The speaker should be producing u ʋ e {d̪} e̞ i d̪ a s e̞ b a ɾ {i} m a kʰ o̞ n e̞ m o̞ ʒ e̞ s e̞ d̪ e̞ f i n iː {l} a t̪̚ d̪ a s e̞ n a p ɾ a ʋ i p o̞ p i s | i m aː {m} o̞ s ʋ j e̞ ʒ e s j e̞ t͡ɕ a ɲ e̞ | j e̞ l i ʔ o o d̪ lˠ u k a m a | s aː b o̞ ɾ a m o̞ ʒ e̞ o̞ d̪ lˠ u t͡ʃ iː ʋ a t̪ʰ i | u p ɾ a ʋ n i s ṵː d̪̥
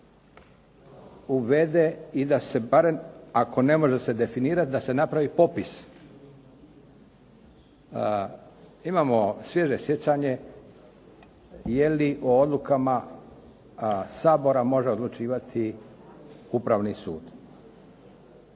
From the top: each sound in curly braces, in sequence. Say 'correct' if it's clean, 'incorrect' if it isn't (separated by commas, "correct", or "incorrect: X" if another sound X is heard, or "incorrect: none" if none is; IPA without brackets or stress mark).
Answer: correct, incorrect: e, incorrect: ɾ, correct